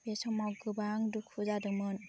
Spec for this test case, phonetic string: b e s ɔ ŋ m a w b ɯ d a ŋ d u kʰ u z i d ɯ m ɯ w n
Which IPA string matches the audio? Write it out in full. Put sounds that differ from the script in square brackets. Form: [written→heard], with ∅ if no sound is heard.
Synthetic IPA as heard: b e s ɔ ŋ m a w [b→ɡ] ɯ [d→b] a ŋ d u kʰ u z [i→a] d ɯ m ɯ [w→∅] n

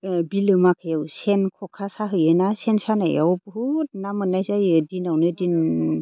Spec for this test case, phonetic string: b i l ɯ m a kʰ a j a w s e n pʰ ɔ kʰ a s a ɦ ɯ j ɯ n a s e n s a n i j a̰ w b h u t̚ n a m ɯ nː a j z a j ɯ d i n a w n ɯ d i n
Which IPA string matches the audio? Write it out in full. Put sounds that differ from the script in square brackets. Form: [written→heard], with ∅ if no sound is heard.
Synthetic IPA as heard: b i l ɯ m a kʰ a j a w s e n [pʰ→kʰ] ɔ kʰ a s a ɦ ɯ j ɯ n a s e n s a n [i→a] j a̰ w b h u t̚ n a m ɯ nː a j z a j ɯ d i n a w n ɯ d i n

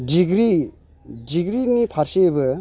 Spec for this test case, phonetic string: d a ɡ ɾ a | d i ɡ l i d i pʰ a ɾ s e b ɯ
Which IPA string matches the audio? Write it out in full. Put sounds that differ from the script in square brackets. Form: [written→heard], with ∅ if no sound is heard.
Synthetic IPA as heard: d [a→i] ɡ ɾ [a→i] | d i ɡ [l→ɾ] i [d→n] i pʰ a ɾ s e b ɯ

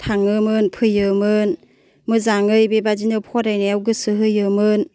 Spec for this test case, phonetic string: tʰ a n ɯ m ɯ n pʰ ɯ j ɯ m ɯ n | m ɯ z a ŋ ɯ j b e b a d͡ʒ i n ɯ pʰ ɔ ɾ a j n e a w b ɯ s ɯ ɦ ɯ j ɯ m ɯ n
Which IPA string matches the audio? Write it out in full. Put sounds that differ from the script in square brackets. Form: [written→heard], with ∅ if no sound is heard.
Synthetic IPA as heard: tʰ a [n→ŋ] ɯ m ɯ n pʰ ɯ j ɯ m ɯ n | m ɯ z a ŋ ɯ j b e b a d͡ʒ i n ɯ pʰ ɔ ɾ a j n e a w [b→ɡ] ɯ s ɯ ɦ ɯ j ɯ m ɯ n

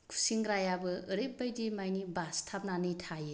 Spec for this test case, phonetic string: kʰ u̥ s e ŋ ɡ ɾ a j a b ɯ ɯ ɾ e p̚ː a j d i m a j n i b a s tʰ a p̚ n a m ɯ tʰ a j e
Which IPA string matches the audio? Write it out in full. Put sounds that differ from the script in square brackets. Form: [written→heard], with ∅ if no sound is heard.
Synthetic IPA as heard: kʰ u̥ s [e→i] ŋ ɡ ɾ a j a b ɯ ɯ ɾ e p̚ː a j d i m a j n i b a s tʰ a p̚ n a [m→n] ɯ tʰ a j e

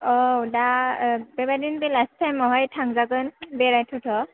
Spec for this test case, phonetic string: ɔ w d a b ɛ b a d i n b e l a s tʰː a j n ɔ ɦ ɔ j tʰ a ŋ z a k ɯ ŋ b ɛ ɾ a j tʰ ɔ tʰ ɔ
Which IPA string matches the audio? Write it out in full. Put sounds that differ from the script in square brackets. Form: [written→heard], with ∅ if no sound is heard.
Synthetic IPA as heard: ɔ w d a b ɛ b a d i n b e l a s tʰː a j [n→m] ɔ ɦ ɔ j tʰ a ŋ z a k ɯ [ŋ→n] b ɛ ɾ a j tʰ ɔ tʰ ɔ

